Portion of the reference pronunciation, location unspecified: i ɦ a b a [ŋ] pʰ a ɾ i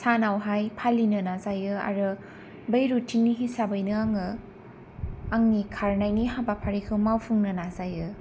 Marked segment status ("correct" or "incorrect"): incorrect